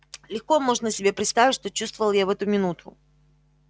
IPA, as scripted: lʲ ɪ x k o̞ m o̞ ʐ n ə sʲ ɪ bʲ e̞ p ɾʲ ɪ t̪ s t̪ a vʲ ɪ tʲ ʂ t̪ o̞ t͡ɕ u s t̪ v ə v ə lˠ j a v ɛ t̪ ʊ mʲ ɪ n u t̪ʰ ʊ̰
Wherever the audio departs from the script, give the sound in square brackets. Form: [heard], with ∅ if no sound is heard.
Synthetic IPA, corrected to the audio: lʲ ɪ x k o̞ m o̞ ʐ n ə sʲ ɪ bʲ e̞ p ɾʲ ɪ t̪ s t̪ a vʲ ɪ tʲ ʂ t̪ o̞ t͡ɕ u s t̪ v ə v ə lˠ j a v ɛ t̪ ʊ mʲ ɪ n u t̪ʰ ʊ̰